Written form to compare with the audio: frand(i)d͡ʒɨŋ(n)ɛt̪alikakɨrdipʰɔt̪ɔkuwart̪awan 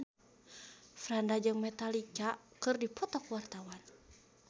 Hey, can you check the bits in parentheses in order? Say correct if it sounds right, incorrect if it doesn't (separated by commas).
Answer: incorrect, incorrect